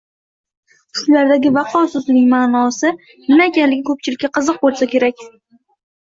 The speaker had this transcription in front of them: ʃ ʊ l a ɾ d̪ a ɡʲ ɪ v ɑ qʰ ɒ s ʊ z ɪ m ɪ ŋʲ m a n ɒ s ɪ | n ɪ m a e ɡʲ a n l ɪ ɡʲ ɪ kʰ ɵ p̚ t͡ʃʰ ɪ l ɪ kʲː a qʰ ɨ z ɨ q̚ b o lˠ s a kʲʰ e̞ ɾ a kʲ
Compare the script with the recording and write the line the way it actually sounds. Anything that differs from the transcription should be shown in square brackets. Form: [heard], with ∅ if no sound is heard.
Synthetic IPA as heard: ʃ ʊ l a ɾ d̪ a ɡʲ ɪ v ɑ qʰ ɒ s ʊ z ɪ [n] ɪ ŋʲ m a n ɒ s ɪ | n ɪ m a e [kʲ] a n l ɪ ɡʲ ɪ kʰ ɵ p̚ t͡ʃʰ ɪ l ɪ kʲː a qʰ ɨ z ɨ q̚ b o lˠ s a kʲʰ e̞ ɾ a kʲ